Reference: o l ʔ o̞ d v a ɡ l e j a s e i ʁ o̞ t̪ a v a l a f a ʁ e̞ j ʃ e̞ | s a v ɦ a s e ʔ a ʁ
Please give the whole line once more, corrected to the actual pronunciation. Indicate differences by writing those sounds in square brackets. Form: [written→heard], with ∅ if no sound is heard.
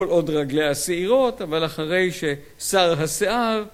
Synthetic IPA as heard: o l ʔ o̞ d [v→ʁ] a ɡ l e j a s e i ʁ o̞ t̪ a v a l a [f→χ] a ʁ e̞ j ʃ e̞ | s a [v→ʁ] ɦ a s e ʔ a ʁ